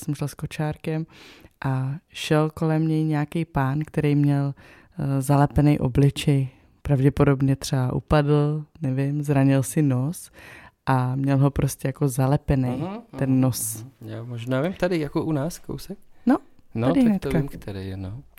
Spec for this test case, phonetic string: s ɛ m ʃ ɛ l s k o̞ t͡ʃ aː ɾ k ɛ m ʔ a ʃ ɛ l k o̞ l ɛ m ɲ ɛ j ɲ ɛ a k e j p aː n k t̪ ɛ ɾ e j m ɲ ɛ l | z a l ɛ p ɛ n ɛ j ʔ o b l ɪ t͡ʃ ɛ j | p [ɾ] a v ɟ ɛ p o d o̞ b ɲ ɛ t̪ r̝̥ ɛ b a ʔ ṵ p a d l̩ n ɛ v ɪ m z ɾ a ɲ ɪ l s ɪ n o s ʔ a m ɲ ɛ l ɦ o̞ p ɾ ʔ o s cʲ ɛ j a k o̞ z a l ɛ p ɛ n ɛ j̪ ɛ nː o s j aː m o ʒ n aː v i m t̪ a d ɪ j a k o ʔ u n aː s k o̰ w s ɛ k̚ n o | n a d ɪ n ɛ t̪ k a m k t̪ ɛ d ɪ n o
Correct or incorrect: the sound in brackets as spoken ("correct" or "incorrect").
correct